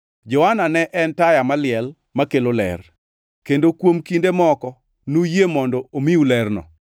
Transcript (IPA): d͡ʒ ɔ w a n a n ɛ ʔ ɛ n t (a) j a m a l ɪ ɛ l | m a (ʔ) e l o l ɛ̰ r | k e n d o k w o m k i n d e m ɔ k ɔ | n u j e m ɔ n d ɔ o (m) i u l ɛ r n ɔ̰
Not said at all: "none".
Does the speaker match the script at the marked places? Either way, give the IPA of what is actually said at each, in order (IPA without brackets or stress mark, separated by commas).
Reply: a, k, m